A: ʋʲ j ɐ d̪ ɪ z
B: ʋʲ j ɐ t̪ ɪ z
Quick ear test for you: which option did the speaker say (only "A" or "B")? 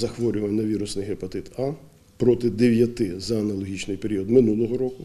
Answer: B